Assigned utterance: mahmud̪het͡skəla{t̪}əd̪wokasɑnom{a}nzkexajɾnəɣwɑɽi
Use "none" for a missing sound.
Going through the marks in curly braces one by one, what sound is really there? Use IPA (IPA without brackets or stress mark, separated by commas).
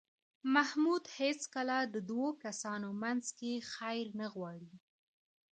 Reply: d̪, a